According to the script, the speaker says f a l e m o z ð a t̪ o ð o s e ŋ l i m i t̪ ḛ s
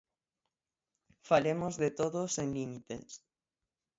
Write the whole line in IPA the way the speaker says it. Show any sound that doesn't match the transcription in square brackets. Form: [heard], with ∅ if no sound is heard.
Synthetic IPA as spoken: f a l e m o z ð [e] t̪ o ð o s e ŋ l i m i t̪ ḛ s